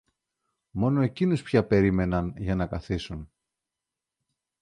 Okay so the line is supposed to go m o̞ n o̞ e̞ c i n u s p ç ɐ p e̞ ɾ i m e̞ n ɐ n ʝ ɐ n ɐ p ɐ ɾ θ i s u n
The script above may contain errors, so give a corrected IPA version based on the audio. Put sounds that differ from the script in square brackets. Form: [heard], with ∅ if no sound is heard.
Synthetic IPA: m o̞ n o̞ e̞ c i n u s p ç ɐ p e̞ ɾ i m e̞ n ɐ n ʝ ɐ n ɐ [k] ɐ [∅] θ i s u n